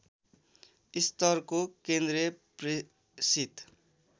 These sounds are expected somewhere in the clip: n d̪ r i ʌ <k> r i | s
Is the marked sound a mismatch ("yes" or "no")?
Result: yes